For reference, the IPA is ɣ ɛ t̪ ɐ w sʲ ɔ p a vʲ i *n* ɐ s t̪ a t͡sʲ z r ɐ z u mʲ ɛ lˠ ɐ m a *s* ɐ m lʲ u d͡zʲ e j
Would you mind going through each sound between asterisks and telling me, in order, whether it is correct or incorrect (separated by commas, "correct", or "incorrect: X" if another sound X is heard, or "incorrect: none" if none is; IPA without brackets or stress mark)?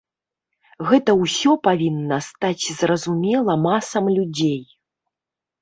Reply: incorrect: nː, correct